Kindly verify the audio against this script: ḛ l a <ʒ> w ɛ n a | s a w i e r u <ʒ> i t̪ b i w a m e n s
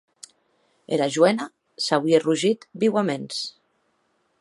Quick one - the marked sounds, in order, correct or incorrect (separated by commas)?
correct, correct